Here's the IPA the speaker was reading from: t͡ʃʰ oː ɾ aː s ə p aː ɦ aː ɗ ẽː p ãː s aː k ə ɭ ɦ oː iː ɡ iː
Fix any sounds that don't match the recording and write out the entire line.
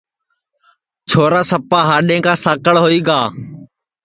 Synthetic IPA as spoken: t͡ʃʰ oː ɾ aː s ə p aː ɦ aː ɗ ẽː k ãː s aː k ə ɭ ɦ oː iː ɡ aː

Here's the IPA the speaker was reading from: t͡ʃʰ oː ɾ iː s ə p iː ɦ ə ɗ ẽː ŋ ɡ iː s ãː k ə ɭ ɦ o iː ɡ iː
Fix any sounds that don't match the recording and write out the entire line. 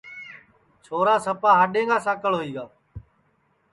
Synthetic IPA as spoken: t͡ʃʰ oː ɾ aː s ə p aː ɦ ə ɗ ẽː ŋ ɡ aː s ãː k ə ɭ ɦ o iː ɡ aː

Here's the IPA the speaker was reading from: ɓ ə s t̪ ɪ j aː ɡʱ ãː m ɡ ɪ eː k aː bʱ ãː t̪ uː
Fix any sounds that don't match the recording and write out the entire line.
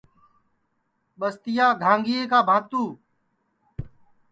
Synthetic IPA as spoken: ɓ ə s t̪ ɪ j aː ɡʱ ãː ŋ ɡ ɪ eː k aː bʱ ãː t̪ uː

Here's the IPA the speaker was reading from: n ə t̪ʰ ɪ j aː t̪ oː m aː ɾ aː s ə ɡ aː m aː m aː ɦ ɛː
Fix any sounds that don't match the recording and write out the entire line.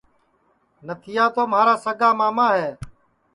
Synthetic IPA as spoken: n ə t̪ʰ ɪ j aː t̪ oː m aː ɾ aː s ə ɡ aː m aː m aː ɦ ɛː

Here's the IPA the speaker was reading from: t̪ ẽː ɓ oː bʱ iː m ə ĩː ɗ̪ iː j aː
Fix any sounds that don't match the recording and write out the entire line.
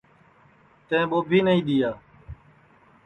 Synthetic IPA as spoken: t̪ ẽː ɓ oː bʱ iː n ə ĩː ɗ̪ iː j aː

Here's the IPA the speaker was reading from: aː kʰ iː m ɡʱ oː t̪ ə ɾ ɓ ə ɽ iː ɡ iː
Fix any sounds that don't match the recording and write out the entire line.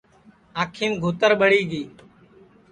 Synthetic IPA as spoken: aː kʰ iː m ɡʱ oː t̪ ə ɾ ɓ ə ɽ iː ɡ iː

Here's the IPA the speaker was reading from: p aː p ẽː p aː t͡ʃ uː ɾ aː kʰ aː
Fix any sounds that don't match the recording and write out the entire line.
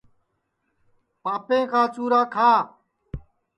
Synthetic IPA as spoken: p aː p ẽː k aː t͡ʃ uː ɾ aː kʰ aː

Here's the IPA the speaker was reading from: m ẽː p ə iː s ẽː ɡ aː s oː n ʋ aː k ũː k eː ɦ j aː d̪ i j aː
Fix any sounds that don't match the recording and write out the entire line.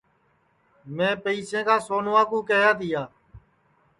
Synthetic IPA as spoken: m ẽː p ə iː s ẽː k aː s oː n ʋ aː k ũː k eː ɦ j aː t̪ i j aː

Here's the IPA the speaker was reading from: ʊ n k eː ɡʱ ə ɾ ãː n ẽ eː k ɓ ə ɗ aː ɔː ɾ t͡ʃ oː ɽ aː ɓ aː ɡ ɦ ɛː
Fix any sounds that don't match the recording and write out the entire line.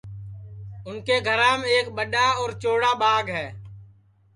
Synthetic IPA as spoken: ʊ n k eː ɡʱ ə ɾ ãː m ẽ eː k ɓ ə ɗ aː ɔː ɾ t͡ʃ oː ɽ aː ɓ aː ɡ ɦ ɛː

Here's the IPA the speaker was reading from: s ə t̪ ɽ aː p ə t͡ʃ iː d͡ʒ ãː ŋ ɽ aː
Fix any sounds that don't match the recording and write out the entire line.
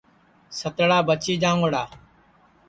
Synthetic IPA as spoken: s ə t̪ ɽ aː b ə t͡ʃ iː d͡ʒ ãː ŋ ɽ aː

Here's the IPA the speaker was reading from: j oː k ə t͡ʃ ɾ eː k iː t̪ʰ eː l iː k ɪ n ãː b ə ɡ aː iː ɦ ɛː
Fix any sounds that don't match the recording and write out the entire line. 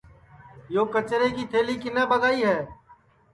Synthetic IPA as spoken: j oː k ə t͡ʃ ɾ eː k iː t̪ʰ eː l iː k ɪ n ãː b ə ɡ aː iː ɦ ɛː

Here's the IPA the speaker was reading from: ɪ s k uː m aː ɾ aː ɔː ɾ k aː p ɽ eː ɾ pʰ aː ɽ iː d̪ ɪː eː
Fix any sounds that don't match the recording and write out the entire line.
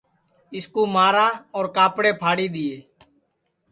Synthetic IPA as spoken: ɪ s k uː m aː ɾ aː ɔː ɾ k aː p ɽ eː pʰ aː ɽ iː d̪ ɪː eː

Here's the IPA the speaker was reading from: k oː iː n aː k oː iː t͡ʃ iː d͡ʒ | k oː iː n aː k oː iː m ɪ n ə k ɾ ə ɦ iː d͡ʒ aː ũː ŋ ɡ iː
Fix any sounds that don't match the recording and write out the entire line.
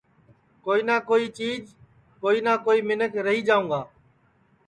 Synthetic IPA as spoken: k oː iː n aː k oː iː t͡ʃ iː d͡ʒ | k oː iː n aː k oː iː m ɪ n ə k ɾ ə ɦ iː d͡ʒ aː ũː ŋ ɡ aː

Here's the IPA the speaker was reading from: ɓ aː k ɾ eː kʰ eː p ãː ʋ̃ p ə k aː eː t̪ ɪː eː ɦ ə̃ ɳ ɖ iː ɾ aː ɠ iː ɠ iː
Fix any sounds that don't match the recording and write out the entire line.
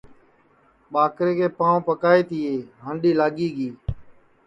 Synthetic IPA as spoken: ɓ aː k ɾ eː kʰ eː p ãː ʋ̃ p ə k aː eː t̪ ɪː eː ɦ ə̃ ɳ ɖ iː l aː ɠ iː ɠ iː

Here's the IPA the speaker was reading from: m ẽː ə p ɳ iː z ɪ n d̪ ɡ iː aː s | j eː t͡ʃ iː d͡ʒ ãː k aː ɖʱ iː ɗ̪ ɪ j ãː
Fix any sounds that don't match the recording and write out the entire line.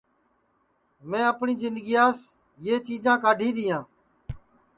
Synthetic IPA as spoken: m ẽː ə p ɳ iː z ɪ n d̪ ɡ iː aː s | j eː t͡ʃ iː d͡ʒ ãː k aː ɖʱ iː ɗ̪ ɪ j ãː

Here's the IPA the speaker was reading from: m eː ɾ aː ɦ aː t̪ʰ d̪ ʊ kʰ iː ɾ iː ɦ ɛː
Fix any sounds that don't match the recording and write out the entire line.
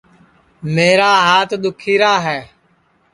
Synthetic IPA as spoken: m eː ɾ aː ɦ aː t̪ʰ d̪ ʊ kʰ iː ɾ aː ɦ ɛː

